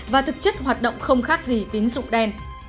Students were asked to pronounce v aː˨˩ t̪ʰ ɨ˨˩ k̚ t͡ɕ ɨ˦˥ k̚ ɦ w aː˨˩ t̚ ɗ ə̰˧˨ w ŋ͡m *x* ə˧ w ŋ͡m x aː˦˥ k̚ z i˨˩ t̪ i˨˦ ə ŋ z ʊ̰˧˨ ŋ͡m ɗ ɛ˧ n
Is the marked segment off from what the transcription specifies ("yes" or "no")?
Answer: no